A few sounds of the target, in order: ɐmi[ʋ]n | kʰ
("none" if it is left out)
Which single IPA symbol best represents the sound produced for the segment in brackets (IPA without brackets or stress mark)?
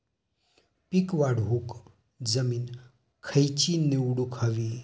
none